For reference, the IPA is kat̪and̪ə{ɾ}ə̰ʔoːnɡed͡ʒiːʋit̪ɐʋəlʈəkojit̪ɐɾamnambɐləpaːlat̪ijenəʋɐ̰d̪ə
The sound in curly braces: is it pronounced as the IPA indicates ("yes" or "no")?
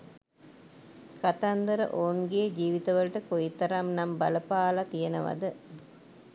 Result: yes